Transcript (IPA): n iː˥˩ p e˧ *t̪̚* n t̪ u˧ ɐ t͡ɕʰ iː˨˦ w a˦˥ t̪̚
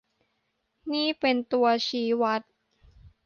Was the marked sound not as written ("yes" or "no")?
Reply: yes